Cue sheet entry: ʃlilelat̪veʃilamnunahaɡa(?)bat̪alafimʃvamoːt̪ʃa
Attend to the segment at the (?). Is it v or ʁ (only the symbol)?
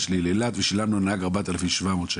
ʁ